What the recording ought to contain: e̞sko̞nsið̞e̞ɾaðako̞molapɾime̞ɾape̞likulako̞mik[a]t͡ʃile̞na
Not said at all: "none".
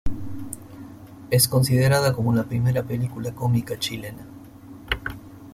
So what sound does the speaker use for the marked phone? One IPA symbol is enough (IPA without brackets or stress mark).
a